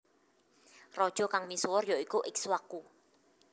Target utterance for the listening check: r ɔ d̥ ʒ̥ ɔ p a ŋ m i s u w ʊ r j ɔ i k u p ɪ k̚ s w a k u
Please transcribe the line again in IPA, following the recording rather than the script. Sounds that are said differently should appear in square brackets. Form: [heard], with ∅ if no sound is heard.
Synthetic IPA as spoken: r ɔ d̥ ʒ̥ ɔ [k] a ŋ m i s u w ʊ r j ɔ i k u [ʔ] ɪ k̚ s w a k u